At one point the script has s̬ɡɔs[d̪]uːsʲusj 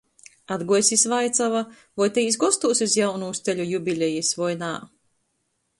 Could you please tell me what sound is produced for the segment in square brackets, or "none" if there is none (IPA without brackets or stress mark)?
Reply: t̪